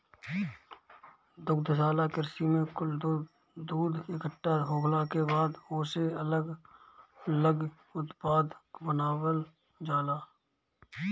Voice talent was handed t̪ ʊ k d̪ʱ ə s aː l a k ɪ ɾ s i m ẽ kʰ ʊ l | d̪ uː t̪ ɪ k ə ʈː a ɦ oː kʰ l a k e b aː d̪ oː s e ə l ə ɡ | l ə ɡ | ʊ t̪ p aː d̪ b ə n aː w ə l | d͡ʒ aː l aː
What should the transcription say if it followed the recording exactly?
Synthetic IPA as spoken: d̪ ʊ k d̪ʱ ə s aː l a k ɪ ɾ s i m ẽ k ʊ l | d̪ uː d̪ ɪ k ə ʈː a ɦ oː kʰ l a k e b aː d̪ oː s e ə l ə ɡ | l ə ɡ | ʊ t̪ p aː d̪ b ə n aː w ə l | d͡ʒ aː l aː